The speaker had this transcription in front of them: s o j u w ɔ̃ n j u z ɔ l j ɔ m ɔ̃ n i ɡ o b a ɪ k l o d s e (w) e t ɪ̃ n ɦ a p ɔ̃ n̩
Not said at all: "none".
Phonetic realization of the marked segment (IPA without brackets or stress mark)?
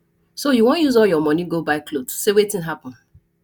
w